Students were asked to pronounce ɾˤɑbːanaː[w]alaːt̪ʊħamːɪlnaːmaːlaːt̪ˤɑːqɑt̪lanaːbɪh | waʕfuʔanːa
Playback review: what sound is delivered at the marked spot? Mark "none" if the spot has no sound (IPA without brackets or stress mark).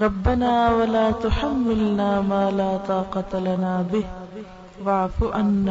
w